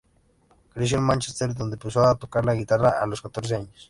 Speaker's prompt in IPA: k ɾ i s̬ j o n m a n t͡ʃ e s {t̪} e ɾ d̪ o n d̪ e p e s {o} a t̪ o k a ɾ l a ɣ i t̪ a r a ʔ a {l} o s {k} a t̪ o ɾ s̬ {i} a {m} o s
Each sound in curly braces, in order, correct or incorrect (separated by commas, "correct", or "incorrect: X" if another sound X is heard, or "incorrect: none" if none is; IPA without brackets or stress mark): correct, correct, correct, correct, incorrect: e, incorrect: ɲ